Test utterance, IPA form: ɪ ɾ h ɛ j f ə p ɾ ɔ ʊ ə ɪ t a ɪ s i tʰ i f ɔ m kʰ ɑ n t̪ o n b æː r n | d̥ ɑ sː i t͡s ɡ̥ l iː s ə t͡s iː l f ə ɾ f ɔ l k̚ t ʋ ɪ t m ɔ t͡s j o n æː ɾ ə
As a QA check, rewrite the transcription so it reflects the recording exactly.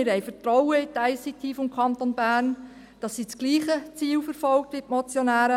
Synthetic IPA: ɪ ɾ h ɛ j f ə t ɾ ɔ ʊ ə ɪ t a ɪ s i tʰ i f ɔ m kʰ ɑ n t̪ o n b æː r n | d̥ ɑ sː i t͡s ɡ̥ l iː χ ə t͡s iː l f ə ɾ f ɔ l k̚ t ʋ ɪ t m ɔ t͡s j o n æː ɾ ə